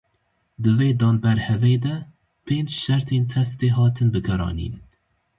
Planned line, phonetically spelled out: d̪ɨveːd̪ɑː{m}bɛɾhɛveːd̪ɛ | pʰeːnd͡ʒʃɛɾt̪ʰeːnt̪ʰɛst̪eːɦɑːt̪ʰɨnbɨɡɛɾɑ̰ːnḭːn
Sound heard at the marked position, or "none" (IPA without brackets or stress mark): n